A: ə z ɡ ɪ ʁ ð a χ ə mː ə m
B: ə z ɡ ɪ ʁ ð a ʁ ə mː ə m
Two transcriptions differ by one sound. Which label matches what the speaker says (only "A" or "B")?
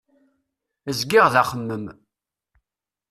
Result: A